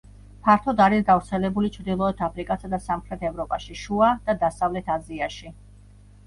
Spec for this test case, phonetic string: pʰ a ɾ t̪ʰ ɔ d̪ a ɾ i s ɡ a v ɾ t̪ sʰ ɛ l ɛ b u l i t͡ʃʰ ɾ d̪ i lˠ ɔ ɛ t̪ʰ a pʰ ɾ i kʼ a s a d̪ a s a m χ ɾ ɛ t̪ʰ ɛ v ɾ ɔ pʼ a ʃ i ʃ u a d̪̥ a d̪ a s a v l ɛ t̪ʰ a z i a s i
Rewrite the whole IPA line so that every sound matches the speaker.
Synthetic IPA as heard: pʰ a ɾ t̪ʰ ɔ d̪ a ɾ i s ɡ a v ɾ t̪ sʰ ɛ l ɛ b u l i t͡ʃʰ ɾ d̪ i lˠ ɔ ɛ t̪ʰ a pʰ ɾ i kʼ a s a d̪ a s a m χ ɾ ɛ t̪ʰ ɛ v ɾ ɔ pʼ a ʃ i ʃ u a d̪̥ a d̪ a s a v l ɛ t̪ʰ a z i a ʃ i